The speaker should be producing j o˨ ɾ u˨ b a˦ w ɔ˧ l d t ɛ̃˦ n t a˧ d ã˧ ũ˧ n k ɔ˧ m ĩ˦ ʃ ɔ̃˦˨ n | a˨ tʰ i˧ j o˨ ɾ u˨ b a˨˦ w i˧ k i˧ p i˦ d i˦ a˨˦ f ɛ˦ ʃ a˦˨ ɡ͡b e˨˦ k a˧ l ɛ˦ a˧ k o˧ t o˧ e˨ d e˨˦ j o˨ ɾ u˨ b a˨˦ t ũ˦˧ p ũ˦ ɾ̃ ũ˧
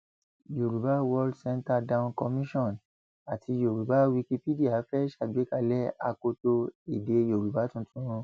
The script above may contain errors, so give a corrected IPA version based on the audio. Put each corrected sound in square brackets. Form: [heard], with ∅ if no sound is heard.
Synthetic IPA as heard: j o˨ ɾ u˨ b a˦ w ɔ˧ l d [s] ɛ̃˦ n t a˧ d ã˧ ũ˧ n k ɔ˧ m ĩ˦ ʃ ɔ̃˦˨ n | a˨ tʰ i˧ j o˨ ɾ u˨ b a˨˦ w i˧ k i˧ p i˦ d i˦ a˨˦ f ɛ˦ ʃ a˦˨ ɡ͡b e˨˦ k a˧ l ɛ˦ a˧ k o˧ t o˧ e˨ d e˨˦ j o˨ ɾ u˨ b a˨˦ t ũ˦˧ [t] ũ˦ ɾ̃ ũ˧